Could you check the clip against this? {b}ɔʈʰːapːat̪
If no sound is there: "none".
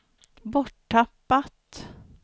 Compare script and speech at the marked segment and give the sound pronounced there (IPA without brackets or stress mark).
b